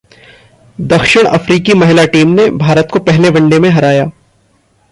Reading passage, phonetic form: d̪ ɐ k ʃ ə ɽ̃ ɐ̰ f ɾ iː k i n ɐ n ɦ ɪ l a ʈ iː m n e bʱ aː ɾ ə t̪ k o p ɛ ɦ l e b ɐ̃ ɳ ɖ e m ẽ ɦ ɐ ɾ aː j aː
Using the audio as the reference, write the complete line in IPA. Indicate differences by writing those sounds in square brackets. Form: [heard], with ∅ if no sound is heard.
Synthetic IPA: d̪ ɐ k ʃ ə ɽ̃ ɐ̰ f ɾ iː k i [m] ɐ [∅] ɦ ɪ l a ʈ iː m n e bʱ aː ɾ ə t̪ k o p ɛ ɦ l e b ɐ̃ ɳ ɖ e m ẽ ɦ ɐ ɾ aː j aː